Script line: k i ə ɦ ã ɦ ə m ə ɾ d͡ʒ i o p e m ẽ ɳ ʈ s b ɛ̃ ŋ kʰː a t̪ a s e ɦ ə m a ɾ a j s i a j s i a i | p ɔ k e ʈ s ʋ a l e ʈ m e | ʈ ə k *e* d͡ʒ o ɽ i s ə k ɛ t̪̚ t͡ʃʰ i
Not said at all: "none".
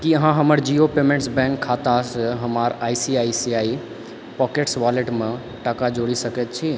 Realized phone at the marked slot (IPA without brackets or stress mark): a